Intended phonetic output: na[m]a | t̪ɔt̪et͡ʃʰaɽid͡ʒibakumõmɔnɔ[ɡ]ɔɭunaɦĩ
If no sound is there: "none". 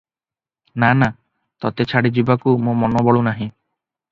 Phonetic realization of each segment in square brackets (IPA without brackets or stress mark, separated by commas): n, b